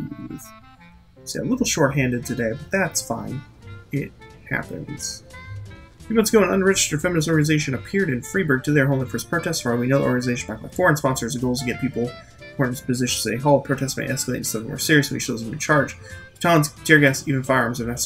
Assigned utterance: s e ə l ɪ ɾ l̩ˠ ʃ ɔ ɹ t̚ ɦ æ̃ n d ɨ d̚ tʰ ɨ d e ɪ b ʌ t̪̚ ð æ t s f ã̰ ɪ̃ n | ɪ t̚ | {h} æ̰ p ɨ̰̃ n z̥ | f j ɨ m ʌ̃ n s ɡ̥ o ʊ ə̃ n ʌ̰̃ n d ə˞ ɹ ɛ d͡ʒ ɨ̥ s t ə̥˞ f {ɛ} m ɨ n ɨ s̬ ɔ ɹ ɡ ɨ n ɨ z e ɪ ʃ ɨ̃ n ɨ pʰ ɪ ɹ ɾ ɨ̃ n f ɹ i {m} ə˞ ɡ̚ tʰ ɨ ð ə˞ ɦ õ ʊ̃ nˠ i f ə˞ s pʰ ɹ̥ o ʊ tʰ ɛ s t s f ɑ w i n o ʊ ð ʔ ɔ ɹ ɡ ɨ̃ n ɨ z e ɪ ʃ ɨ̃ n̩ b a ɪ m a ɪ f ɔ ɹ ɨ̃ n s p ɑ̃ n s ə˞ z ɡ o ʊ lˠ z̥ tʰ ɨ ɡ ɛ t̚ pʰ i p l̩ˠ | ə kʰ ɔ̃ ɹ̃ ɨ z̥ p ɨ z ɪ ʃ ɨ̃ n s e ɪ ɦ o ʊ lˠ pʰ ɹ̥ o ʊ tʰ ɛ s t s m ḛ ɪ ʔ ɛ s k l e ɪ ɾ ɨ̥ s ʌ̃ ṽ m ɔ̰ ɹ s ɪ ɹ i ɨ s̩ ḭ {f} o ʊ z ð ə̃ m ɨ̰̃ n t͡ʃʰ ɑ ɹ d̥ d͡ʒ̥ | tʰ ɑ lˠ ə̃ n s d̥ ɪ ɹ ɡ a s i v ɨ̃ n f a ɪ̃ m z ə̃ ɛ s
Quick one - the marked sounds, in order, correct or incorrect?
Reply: correct, correct, incorrect, incorrect

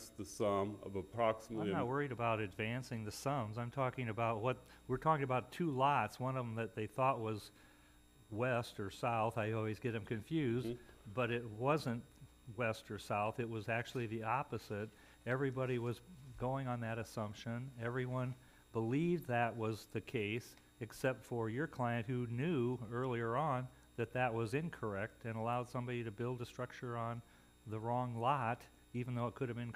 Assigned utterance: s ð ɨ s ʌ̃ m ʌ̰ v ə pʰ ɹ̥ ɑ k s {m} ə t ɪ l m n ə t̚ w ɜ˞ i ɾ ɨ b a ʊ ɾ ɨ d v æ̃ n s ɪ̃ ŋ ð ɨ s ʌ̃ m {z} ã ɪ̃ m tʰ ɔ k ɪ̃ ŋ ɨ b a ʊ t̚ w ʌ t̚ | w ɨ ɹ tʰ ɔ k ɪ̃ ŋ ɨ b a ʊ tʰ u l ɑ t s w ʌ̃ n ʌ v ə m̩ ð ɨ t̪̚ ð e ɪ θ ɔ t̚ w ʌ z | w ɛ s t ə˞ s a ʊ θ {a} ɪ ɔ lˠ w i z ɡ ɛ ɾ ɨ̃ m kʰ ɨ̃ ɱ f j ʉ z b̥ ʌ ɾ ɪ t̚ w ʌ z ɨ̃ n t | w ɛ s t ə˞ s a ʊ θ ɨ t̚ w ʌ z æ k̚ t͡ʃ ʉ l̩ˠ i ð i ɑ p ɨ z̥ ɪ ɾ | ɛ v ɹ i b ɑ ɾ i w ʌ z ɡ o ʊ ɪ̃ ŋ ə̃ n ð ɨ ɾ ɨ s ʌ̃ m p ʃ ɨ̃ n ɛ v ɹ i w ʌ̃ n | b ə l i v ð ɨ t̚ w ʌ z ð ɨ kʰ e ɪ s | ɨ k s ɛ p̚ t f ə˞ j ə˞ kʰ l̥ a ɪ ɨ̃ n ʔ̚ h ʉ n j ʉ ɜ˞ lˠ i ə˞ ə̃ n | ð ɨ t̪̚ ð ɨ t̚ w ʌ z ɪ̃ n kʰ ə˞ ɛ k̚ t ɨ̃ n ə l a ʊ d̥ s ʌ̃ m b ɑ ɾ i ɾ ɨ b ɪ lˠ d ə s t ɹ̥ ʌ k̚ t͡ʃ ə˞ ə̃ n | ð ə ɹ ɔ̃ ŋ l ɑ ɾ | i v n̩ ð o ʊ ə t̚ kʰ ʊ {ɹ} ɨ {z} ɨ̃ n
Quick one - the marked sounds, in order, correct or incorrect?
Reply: correct, correct, correct, incorrect, incorrect

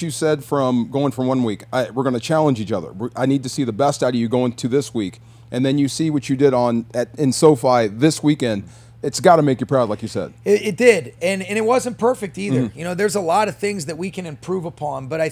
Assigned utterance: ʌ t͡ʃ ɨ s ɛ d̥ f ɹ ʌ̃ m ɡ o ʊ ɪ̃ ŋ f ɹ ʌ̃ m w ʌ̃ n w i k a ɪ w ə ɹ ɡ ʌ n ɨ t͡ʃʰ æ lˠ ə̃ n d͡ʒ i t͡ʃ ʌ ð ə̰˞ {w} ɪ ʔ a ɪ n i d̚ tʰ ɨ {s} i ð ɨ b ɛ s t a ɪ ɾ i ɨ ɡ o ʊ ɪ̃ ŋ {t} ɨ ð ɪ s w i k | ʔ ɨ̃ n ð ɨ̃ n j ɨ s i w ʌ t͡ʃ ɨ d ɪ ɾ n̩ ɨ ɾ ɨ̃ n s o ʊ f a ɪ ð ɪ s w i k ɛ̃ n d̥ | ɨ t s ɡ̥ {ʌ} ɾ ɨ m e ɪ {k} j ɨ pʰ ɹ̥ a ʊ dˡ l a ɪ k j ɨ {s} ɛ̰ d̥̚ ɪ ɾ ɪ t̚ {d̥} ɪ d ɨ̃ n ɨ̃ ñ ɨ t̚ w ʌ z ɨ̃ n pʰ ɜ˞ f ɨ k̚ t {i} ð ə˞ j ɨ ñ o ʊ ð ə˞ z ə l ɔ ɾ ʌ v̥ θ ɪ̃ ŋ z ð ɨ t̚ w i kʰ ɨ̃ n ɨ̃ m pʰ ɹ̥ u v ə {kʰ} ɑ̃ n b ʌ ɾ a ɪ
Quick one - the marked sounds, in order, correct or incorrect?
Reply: correct, correct, incorrect, incorrect, correct, correct, correct, correct, incorrect

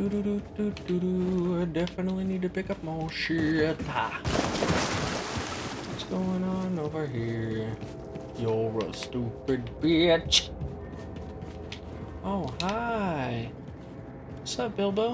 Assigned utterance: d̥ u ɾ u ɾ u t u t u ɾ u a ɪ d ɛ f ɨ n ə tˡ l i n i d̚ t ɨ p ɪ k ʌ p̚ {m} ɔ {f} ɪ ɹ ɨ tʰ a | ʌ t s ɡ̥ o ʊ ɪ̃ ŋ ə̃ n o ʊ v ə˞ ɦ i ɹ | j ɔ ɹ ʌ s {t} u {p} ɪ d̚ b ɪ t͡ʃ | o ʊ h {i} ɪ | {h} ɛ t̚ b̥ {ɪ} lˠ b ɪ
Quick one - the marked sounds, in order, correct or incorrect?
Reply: correct, incorrect, correct, correct, incorrect, incorrect, correct

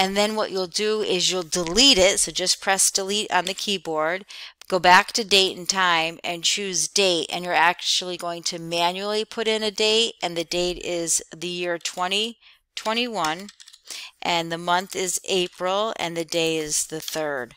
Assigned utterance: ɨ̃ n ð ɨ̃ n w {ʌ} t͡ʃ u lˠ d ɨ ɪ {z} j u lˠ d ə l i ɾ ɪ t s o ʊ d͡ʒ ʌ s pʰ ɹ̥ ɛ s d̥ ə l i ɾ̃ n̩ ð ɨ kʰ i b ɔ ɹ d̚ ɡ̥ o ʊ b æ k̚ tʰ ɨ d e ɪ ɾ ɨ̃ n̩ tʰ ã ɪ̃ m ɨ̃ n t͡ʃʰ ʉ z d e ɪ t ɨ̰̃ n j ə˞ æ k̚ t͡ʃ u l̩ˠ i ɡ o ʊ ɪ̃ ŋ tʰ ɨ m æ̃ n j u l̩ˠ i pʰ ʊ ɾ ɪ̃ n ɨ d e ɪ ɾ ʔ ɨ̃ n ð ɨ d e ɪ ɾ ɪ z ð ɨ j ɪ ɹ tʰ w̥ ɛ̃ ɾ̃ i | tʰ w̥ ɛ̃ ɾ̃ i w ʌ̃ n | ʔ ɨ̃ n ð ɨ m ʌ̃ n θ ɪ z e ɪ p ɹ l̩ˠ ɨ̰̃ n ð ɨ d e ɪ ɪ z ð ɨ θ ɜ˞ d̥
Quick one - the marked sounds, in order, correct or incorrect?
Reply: correct, correct

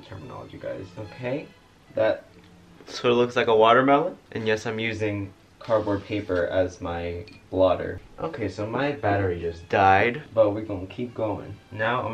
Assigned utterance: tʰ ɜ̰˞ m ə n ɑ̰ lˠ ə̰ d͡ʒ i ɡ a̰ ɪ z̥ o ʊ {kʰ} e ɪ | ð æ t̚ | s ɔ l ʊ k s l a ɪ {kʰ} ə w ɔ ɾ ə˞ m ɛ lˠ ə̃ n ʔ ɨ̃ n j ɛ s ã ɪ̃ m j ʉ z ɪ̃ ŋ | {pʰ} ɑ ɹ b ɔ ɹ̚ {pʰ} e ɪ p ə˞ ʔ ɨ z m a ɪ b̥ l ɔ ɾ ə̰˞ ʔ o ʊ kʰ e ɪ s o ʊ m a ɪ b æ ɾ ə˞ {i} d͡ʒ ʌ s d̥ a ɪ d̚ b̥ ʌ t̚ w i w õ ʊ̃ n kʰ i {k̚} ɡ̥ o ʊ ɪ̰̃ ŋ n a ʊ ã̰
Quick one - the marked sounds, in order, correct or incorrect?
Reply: correct, incorrect, incorrect, correct, correct, incorrect

